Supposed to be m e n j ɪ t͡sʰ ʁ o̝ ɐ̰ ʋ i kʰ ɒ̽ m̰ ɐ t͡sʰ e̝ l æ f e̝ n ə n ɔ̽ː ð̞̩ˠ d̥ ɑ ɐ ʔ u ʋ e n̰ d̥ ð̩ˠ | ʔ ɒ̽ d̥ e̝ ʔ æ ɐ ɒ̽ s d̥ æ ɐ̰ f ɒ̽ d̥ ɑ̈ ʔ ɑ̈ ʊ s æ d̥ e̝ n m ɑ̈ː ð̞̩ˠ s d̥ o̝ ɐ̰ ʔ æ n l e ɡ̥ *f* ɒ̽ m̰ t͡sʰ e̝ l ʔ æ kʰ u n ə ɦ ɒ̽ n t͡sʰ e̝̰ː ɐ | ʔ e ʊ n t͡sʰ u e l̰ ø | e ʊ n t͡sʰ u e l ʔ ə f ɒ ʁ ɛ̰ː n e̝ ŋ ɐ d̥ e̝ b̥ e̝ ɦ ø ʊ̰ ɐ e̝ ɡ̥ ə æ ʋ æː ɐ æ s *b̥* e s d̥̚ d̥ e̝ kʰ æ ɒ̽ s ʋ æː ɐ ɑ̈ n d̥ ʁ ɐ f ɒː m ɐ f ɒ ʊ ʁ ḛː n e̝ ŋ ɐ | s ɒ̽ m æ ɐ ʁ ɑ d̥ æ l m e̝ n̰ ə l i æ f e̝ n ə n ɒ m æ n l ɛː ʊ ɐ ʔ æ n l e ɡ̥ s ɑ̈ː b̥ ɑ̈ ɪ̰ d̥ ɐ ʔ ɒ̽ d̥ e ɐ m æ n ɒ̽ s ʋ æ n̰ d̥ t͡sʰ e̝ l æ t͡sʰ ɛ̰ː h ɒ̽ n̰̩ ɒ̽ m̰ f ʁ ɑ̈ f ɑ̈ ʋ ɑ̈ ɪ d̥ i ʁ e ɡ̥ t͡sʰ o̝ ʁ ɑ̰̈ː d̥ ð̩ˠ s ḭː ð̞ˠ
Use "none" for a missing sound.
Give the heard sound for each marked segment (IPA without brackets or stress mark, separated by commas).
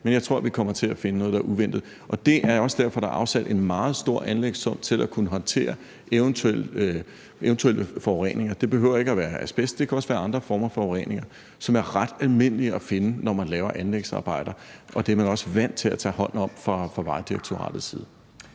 s, b̥